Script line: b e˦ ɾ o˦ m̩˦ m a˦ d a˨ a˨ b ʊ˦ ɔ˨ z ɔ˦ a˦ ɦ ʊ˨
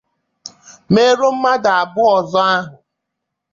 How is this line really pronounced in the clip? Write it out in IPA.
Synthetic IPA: m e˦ ɾ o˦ m̩˦ m a˦ d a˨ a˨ b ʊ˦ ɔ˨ z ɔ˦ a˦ ɦ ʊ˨